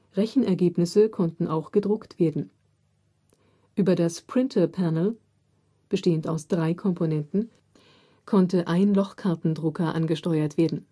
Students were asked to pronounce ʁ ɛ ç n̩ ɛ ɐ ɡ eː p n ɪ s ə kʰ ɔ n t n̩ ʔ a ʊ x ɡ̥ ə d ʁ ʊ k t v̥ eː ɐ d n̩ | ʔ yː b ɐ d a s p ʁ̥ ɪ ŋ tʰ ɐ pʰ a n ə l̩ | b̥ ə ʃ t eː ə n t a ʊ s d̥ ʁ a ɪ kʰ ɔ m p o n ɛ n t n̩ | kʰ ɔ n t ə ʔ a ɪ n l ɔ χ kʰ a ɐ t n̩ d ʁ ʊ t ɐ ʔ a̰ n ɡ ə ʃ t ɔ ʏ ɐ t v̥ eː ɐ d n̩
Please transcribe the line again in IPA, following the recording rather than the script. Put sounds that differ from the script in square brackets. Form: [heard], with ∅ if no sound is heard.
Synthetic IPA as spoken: ʁ ɛ ç n̩ ɛ ɐ ɡ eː p n ɪ s ə kʰ ɔ n t n̩ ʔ a ʊ x ɡ̥ ə d ʁ ʊ k t v̥ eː ɐ d n̩ | ʔ yː b ɐ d a s p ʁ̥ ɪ [n] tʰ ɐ pʰ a n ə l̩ | b̥ ə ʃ t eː ə n t a ʊ s d̥ ʁ a ɪ kʰ ɔ m p o n ɛ n t n̩ | kʰ ɔ n t ə ʔ a ɪ n l ɔ χ kʰ a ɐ t n̩ d ʁ ʊ [k] ɐ ʔ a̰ n ɡ ə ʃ t ɔ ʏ ɐ t v̥ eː ɐ d n̩